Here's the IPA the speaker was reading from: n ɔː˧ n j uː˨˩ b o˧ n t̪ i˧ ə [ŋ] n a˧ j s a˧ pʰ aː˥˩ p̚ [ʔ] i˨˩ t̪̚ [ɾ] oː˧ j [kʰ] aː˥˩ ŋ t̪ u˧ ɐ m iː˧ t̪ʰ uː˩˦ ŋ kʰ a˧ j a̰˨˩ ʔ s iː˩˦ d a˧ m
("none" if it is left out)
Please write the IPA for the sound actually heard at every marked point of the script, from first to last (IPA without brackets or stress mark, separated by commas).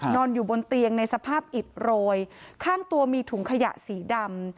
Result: ŋ, ʔ, ɾ, kʰ